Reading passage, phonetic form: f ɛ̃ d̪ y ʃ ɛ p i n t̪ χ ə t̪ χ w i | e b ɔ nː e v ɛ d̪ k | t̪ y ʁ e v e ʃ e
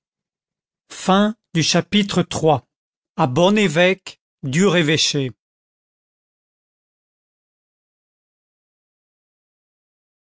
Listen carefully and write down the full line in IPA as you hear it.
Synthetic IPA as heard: f ɛ̃ d̪ y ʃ a p i t̪ χ ə t̪ χ w a | a b ɔ n e v ɛ k | d̪ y ʁ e v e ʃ e